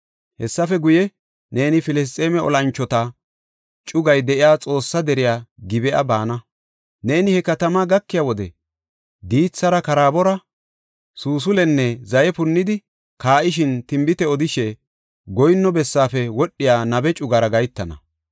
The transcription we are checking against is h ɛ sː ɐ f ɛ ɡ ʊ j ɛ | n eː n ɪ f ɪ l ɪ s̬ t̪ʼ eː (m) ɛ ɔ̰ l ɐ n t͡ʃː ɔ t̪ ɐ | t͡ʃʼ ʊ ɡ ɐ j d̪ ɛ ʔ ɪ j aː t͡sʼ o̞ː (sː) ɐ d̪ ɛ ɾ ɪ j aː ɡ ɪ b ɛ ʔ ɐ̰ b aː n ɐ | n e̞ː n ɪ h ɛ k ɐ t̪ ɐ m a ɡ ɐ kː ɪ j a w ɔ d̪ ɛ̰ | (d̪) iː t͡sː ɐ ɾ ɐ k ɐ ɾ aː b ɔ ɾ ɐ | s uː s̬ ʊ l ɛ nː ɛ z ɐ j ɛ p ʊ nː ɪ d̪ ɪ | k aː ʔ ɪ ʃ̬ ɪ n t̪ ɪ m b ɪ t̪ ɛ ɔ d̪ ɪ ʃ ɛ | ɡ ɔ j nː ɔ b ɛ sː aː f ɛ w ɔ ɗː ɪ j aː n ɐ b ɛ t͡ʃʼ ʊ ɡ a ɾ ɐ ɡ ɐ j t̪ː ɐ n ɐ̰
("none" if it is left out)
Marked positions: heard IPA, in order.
m, sː, d̪

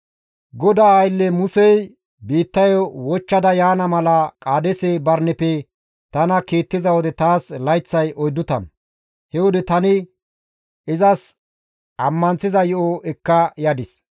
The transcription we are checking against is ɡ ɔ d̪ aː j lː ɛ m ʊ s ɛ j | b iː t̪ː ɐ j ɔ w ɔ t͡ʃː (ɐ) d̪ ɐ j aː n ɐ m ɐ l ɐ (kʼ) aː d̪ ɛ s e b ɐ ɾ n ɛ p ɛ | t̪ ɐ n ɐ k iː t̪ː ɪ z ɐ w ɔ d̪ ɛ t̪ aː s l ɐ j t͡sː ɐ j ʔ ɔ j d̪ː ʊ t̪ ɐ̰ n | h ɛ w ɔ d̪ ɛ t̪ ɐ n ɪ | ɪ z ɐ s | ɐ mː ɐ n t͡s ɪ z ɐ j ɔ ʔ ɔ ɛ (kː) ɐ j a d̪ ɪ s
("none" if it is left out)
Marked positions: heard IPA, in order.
ɐ, kʼ, kː

